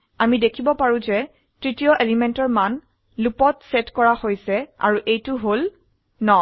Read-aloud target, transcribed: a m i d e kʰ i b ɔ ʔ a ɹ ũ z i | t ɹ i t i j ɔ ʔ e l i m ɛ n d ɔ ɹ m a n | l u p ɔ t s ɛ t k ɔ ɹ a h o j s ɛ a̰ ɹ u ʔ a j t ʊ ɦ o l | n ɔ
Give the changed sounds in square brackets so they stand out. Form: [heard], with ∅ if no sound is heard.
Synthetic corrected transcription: a m i d e kʰ i b ɔ [p] a ɹ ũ z [ɛ] | t ɹ i t i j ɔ ʔ e l i m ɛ n [t] ɔ ɹ m a n | l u p ɔ t s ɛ t k ɔ ɹ a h o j s ɛ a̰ ɹ u ʔ [e] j t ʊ ɦ o l | n ɔ

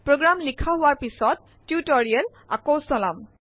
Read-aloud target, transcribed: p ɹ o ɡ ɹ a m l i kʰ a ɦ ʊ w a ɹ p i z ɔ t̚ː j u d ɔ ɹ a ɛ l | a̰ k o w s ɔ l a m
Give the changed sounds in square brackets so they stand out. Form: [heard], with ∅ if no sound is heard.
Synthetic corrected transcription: p ɹ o ɡ ɹ a m l i kʰ a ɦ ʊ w a ɹ p i [s] ɔ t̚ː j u [t] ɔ ɹ [i] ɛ l | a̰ k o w s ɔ l a m

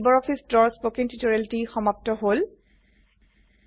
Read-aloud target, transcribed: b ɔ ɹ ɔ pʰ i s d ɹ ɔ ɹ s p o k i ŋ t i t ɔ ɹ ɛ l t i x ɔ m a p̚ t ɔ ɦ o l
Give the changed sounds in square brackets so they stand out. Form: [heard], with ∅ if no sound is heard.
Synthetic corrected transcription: b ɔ ɹ ɔ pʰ i s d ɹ ɔ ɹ s p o k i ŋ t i t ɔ ɹ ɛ l t i x ɔ m a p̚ t ɔ ɦ o l

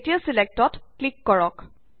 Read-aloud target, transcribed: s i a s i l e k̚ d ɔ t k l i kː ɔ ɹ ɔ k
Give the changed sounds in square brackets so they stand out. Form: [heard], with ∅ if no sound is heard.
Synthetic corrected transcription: [t] i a s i l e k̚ [t] ɔ t k l i kː ɔ ɹ ɔ k

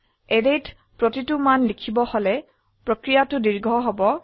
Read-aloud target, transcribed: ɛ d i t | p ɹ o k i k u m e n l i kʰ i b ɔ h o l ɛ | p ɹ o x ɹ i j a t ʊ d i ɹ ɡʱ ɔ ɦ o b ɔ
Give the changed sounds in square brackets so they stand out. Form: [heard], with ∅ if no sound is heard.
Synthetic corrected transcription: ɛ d [e] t | p ɹ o [t] i [t] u m [a] n l i kʰ i b ɔ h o l ɛ | p ɹ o [k] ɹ i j a t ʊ d i ɹ ɡʱ ɔ ɦ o b ɔ

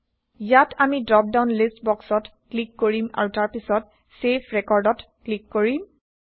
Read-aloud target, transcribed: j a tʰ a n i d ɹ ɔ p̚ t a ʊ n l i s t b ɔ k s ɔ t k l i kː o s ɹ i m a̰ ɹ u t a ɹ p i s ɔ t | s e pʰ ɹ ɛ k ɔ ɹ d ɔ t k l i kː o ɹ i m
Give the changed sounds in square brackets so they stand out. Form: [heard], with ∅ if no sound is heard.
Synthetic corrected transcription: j a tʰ a [m] i d ɹ ɔ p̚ [d] a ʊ n l i s t b ɔ k s ɔ t k l i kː o [∅] ɹ i m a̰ ɹ u t a ɹ p i s ɔ t | s e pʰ ɹ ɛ k ɔ ɹ d ɔ t k l i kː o ɹ i m

